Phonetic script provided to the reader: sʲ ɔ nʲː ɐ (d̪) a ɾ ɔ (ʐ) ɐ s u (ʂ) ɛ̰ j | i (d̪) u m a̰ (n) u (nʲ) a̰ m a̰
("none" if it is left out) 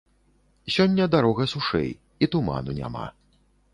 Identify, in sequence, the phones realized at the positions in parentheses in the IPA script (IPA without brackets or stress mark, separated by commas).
d̪, ɣ, ʂ, t̪, n, nʲ